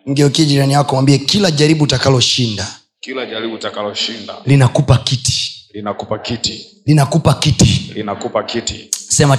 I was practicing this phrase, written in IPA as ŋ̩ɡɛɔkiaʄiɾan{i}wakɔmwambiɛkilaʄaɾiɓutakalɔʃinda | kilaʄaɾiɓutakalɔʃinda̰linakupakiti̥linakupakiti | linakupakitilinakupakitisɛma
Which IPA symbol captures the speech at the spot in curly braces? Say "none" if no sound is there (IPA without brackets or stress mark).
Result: i